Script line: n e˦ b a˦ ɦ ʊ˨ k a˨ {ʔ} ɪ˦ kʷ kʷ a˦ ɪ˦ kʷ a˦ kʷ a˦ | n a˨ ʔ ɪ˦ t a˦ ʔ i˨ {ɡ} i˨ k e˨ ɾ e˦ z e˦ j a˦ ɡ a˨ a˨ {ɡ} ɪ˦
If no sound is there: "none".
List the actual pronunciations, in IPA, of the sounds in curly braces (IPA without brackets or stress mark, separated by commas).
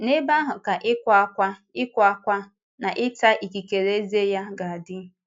ʔ, k, d